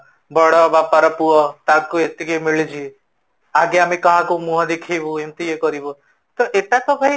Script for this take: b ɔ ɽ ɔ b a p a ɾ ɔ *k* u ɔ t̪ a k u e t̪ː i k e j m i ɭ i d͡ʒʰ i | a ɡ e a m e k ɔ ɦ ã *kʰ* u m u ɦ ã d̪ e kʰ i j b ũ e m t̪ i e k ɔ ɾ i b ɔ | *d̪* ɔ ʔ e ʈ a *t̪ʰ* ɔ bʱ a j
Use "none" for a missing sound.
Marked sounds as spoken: p, k, t̪, t̪

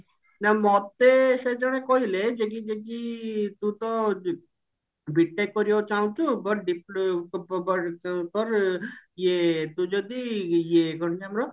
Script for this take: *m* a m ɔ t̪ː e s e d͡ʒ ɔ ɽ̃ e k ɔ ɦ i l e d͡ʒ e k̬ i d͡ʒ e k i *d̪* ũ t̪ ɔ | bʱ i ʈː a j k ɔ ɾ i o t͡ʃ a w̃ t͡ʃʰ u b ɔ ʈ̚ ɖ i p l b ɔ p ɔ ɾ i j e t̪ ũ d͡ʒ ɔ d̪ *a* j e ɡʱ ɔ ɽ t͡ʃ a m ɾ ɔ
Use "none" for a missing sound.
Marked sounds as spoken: n, t̪, i

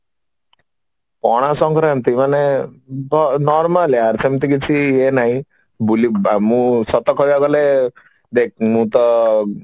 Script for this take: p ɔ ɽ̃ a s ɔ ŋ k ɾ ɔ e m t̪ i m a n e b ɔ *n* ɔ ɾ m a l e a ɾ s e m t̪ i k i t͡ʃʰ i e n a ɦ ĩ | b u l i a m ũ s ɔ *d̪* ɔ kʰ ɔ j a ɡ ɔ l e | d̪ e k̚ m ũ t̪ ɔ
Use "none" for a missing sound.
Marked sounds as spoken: n, t̪

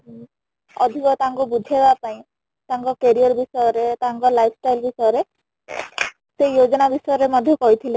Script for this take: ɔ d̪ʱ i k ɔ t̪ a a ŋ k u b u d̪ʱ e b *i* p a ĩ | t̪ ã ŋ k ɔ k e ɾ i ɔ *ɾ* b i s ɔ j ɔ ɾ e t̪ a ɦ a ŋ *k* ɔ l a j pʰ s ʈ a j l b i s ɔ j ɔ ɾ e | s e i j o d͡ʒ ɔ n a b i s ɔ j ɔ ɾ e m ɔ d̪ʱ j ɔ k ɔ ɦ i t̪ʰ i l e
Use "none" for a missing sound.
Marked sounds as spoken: a, ɾ, k

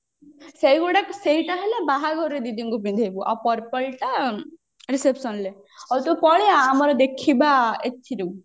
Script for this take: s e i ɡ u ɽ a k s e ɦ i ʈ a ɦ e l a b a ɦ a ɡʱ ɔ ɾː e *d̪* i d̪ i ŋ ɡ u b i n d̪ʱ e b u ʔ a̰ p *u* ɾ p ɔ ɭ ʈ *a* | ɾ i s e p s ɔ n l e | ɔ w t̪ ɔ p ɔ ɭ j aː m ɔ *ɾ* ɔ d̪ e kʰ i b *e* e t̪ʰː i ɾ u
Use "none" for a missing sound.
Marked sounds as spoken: d̪, ɔ, a, ɾ, a

